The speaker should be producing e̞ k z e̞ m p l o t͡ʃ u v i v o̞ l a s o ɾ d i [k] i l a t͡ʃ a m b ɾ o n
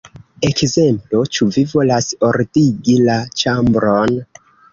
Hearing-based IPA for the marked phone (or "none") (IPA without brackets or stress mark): ɡ